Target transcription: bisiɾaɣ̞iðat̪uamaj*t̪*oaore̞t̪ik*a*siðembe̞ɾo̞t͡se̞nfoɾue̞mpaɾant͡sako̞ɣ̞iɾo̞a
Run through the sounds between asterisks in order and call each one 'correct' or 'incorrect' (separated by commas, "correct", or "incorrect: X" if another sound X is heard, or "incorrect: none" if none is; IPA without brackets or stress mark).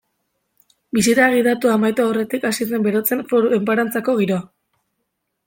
correct, correct